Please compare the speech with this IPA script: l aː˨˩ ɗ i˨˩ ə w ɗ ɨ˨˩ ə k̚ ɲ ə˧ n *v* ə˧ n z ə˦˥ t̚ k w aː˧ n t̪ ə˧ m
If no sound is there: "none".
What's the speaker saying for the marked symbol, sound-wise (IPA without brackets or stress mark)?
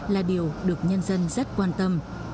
z